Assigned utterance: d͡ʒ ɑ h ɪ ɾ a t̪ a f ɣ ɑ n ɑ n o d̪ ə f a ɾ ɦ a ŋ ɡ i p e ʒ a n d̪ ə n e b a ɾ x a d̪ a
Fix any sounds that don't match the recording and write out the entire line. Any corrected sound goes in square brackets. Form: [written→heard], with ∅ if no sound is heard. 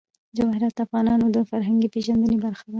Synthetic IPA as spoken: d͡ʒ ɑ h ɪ ɾ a t̪ a f ɣ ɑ n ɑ n o d̪ ə f a ɾ ɦ a ŋ ɡ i p e ʒ a n d̪ ə n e b a ɾ x a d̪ a